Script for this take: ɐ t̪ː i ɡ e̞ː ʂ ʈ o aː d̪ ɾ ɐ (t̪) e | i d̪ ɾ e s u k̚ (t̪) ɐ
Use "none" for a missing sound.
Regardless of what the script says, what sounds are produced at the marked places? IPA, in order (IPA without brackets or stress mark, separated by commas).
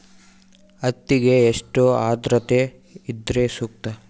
t̪, t̪